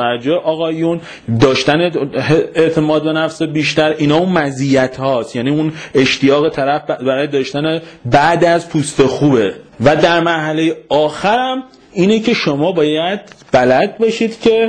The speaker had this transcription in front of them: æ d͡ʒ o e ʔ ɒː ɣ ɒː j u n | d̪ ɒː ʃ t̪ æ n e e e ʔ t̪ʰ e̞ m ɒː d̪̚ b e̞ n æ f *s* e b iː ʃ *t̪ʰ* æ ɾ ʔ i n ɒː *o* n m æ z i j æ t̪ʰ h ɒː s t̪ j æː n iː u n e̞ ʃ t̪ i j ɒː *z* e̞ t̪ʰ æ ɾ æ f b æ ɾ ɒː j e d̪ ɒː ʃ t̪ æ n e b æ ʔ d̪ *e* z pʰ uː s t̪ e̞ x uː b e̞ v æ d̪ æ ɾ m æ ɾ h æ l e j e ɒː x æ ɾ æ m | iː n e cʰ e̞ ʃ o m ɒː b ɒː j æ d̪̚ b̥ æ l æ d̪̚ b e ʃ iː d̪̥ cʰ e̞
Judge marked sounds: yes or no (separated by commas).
yes, no, no, no, no